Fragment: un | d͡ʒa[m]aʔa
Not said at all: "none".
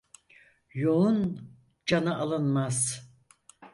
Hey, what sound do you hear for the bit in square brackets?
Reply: n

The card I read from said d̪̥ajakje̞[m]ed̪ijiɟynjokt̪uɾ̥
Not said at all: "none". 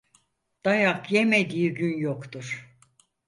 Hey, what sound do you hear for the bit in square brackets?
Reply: m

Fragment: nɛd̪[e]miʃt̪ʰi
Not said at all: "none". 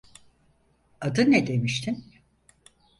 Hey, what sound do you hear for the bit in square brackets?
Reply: e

